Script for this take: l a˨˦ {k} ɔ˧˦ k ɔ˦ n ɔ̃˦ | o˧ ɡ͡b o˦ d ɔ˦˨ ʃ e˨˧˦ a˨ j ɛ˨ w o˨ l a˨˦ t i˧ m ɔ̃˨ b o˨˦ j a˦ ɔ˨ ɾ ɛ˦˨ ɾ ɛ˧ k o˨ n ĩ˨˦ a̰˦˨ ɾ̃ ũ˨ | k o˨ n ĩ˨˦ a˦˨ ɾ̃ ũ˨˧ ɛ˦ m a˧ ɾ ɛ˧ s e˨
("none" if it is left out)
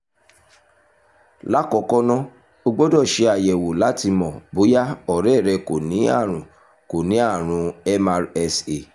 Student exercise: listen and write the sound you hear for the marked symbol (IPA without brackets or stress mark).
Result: k